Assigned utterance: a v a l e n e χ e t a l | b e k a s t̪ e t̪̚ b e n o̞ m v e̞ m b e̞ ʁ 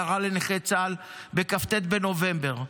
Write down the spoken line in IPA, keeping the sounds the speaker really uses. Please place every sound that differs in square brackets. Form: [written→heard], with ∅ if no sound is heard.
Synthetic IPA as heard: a [v→ʁ] a l e n e χ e [t→t͡s] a l | b e k a [s→f] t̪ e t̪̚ b e n o̞ [m→∅] v e̞ m b e̞ ʁ